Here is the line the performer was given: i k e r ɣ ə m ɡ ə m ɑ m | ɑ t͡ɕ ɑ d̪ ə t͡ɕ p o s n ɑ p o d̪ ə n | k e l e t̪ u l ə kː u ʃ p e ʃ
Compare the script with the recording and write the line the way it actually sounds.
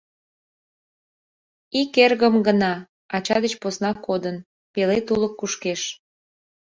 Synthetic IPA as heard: i k e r ɣ ə m ɡ ə n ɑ | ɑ t͡ɕ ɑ d̪ ə t͡ɕ p o s n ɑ k o d̪ ə n | p e l e t̪ u l ə kː u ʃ k e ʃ